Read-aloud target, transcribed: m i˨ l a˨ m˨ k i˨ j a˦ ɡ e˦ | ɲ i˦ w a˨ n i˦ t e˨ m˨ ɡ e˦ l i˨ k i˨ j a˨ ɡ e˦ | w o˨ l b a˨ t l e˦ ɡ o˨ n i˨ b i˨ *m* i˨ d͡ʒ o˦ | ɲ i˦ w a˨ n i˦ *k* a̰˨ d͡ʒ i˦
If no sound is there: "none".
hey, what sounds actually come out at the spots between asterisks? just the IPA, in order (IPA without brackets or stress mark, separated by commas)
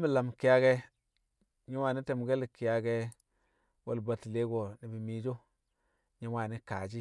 m, k